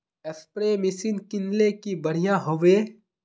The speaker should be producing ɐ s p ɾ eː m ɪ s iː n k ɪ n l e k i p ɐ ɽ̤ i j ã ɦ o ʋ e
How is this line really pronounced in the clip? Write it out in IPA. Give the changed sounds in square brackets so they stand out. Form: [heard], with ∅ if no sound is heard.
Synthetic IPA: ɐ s p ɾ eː m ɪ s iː n k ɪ n l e k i [b] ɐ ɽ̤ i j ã ɦ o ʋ e